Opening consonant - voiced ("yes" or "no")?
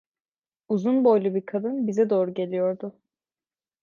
yes